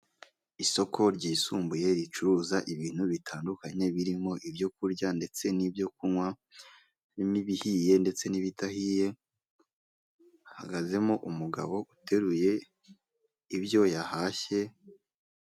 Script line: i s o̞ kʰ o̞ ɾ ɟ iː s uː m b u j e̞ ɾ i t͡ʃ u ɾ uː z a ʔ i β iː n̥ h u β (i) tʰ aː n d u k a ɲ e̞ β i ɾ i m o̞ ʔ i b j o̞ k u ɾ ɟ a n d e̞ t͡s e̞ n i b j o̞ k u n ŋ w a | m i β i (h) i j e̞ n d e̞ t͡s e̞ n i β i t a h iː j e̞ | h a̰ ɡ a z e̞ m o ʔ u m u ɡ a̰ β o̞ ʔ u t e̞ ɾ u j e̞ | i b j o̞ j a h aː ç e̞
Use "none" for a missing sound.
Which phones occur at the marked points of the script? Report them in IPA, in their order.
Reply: i, h

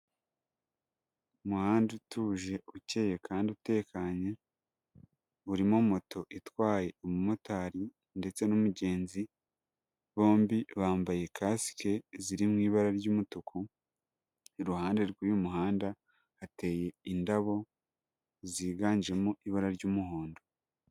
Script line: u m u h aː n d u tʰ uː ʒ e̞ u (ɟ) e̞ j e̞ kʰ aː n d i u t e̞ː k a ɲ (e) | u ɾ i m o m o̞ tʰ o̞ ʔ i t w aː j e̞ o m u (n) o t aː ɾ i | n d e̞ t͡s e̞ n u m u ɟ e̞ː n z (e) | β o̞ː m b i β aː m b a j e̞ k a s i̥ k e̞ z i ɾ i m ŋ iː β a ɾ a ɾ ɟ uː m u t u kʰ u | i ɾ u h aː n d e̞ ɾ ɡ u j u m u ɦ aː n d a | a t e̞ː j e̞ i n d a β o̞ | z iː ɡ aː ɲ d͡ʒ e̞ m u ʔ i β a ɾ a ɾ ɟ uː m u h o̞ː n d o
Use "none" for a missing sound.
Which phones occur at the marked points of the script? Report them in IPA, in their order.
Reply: c, e, m, i

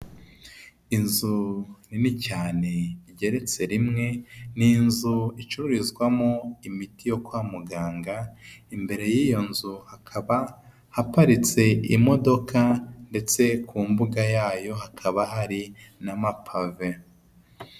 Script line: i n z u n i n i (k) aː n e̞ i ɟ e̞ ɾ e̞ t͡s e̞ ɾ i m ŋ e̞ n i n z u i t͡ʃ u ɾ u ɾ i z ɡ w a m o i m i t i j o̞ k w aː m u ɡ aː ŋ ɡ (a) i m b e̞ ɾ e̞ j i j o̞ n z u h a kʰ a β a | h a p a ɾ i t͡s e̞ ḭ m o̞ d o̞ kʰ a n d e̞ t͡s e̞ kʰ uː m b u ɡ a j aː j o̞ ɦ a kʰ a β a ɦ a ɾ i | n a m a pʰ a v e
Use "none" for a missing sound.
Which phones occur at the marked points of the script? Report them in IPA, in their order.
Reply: c, a

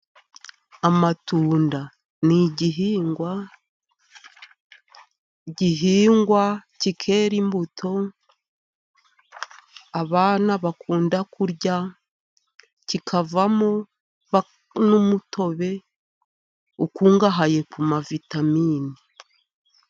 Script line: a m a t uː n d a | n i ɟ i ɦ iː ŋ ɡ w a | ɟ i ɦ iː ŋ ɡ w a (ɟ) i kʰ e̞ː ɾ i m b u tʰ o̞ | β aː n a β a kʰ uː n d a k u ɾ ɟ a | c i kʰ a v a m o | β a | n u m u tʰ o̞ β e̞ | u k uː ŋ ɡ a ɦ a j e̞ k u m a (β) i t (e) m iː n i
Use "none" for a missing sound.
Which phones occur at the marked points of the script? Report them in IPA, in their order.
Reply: c, v, a

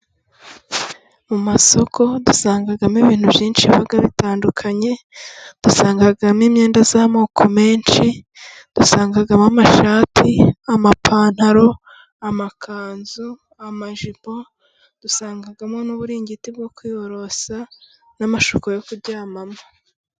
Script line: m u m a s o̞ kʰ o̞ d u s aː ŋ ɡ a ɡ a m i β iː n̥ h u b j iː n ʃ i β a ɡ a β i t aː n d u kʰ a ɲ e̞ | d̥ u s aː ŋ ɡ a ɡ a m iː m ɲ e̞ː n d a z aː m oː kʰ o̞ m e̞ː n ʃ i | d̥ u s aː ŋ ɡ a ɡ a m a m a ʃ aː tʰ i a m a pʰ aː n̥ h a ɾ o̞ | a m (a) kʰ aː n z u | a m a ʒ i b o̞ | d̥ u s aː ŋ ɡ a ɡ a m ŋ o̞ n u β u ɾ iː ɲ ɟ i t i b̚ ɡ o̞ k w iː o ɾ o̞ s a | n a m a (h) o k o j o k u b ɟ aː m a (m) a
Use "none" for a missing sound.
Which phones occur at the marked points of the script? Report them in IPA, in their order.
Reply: a, ʃ, m

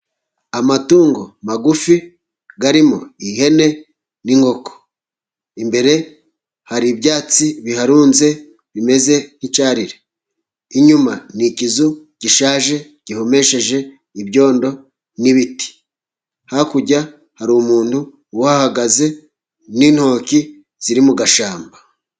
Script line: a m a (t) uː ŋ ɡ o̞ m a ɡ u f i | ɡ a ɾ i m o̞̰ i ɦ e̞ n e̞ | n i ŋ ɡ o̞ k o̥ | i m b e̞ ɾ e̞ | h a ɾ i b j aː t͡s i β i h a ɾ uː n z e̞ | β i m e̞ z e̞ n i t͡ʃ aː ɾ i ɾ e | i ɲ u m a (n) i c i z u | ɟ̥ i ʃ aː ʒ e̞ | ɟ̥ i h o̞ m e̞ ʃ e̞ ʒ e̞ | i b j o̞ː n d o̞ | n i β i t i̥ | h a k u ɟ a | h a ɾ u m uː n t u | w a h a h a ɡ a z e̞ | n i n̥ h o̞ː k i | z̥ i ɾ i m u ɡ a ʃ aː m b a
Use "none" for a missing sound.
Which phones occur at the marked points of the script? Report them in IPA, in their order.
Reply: t, n

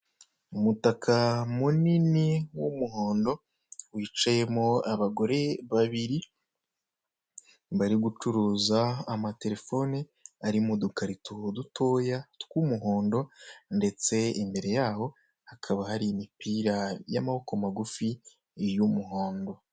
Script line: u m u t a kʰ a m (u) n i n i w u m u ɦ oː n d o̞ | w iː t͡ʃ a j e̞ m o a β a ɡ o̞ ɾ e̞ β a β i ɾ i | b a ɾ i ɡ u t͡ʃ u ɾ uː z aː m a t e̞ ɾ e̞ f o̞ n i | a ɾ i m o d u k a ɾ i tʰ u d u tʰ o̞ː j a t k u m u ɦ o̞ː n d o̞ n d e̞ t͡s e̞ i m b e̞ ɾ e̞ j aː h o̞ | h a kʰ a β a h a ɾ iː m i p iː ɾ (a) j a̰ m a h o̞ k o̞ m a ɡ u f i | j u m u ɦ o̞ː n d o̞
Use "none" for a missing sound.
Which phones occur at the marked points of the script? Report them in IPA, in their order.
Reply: u, a

